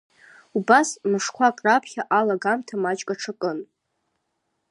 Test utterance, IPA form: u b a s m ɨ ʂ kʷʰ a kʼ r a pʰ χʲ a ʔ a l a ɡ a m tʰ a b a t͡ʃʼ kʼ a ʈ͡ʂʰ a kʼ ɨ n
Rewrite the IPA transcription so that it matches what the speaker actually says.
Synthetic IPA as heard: u b a s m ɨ ʂ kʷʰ a kʼ r a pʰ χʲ a ʔ a l a ɡ a m tʰ a m a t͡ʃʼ kʼ a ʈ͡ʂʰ a kʼ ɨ n